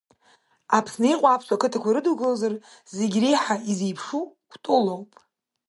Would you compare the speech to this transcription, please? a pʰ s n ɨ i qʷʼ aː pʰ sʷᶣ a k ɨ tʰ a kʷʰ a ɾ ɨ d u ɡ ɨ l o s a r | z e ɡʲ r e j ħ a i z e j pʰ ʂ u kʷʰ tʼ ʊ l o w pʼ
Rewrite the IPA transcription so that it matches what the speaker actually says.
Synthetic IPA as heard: a pʰ s n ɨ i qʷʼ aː pʰ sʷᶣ a k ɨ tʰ a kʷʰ a ɾ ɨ d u ɡ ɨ l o z a r | z e ɡʲ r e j ħ a i z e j pʰ ʂ u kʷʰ tʼ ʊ l o w pʼ